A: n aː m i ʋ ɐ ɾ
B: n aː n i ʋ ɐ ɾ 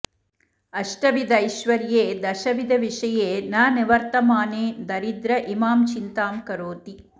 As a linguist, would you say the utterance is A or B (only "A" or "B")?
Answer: B